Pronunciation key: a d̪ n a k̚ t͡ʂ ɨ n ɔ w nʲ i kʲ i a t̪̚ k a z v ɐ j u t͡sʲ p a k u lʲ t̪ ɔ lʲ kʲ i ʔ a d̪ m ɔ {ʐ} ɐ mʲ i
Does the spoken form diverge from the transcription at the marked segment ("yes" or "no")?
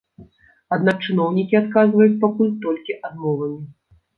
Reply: yes